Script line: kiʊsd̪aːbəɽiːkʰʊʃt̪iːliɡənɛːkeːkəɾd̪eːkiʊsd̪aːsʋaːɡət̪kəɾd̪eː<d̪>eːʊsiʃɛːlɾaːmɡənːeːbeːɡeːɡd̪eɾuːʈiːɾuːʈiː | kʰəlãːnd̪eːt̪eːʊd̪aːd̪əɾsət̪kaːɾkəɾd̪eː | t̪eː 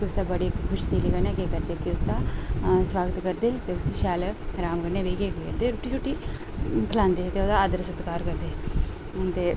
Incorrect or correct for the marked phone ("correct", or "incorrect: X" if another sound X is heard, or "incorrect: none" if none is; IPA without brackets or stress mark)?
incorrect: t̪